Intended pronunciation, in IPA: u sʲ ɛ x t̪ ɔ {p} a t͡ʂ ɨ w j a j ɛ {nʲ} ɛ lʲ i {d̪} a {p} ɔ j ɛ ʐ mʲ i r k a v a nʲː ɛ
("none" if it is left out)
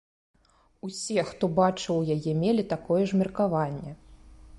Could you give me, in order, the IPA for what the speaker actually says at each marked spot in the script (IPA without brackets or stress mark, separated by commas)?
b, mʲ, t̪, k